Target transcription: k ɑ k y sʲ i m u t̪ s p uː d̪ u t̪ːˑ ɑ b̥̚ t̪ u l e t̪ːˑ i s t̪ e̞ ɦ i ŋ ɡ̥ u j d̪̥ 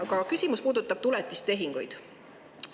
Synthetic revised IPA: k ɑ k y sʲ i m u s p uː d̪ u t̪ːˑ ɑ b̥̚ t̪ u l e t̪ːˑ i s t̪ e̞ ɦ i ŋ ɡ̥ u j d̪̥